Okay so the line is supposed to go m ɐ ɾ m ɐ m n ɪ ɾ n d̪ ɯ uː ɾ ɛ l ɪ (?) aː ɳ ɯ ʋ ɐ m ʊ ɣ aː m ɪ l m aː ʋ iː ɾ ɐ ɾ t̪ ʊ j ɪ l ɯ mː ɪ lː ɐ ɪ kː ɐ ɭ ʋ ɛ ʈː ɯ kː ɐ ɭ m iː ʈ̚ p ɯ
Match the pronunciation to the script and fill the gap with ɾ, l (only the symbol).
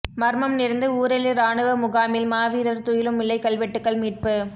ɾ